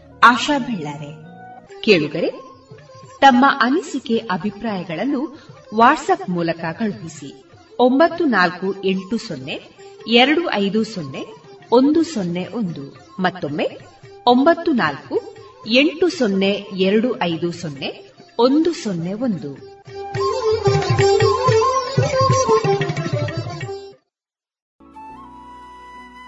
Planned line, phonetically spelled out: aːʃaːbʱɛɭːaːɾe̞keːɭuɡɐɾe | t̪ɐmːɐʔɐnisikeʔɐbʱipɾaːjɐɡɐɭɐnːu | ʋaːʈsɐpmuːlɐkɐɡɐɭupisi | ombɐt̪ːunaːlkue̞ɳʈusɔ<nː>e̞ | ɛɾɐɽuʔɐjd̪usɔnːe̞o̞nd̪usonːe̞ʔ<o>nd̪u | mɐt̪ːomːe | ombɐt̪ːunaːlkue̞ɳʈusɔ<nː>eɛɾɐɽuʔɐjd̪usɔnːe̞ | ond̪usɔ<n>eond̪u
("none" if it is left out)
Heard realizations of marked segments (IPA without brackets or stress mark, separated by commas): nː, o, nː, nː